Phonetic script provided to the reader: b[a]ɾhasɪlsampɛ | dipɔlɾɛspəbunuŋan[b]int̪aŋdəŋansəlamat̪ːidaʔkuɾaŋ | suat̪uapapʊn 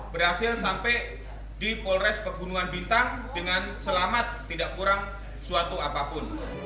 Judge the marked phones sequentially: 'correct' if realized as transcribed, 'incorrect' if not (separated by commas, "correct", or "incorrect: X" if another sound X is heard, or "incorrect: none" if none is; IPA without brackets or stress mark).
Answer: incorrect: ə, correct